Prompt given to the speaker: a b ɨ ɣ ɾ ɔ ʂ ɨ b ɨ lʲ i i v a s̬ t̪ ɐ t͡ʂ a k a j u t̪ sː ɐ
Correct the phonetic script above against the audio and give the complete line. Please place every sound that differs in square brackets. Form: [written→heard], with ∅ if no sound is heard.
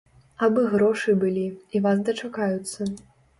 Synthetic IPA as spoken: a b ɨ ɣ ɾ ɔ ʂ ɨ b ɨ lʲ i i v a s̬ [t̪→d̪] ɐ t͡ʂ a k a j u t̪ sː ɐ

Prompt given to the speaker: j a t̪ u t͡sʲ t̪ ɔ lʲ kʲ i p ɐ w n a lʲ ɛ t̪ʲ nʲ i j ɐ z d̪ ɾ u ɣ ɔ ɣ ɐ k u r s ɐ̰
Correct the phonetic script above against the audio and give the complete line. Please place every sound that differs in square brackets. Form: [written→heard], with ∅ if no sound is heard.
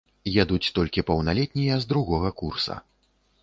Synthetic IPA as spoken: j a [t̪→d̪] u t͡sʲ t̪ ɔ lʲ kʲ i p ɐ w n a lʲ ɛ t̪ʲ nʲ i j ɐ z d̪ ɾ u ɣ ɔ ɣ ɐ k u r s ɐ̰

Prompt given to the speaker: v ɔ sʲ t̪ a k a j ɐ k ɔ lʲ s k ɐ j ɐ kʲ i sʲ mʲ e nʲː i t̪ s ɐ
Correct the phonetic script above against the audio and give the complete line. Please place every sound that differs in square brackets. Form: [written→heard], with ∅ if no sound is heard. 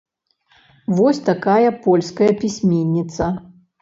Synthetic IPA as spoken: v ɔ sʲ t̪ a k a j ɐ [k→p] ɔ lʲ s k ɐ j ɐ [kʲ→pʲ] i sʲ mʲ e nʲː i t̪ s ɐ

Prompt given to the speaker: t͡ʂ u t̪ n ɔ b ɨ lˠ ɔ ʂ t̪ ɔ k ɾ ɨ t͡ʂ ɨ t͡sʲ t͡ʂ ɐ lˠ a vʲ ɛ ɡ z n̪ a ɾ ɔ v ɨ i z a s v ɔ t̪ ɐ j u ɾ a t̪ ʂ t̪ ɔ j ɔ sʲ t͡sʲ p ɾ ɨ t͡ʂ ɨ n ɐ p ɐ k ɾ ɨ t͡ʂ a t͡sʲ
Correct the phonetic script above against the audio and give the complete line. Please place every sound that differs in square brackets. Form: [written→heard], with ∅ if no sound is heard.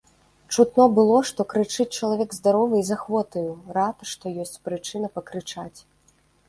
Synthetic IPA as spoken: t͡ʂ u t̪ n ɔ b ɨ lˠ ɔ ʂ t̪ ɔ k ɾ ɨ t͡ʂ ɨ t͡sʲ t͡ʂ ɐ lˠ a vʲ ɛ ɡ z [n̪→d̪] a ɾ ɔ v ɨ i z a [s→x] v ɔ t̪ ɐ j u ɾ a t̪ ʂ t̪ ɔ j ɔ sʲ t͡sʲ p ɾ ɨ t͡ʂ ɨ n ɐ p ɐ k ɾ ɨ t͡ʂ a t͡sʲ

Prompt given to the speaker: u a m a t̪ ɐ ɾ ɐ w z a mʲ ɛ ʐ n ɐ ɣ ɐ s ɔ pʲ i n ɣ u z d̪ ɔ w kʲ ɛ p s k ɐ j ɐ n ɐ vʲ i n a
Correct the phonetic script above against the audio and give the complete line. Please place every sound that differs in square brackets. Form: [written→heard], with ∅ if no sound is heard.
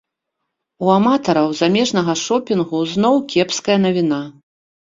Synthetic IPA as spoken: u a m a t̪ ɐ ɾ ɐ w z a mʲ ɛ ʐ n ɐ ɣ ɐ [s→ʂ] ɔ pʲ i n ɣ u z [d̪→n̪] ɔ w kʲ ɛ p s k ɐ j ɐ n ɐ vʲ i n a

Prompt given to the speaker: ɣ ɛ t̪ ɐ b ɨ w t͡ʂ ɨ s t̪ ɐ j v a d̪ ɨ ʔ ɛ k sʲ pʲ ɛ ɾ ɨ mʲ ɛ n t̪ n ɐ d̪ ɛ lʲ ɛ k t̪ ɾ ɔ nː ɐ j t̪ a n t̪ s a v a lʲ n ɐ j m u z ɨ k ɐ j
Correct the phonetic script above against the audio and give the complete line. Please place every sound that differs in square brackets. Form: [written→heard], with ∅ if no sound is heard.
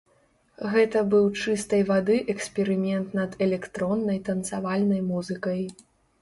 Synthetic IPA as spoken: ɣ ɛ t̪ ɐ b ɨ w t͡ʂ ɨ s t̪ ɐ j v a d̪ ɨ ʔ ɛ k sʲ pʲ ɛ ɾ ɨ mʲ ɛ n t̪ n ɐ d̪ ɛ lʲ ɛ k t̪ ɾ ɔ nː ɐ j t̪ [a→ɐ] n t̪ s a v a lʲ n ɐ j m u z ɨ k ɐ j

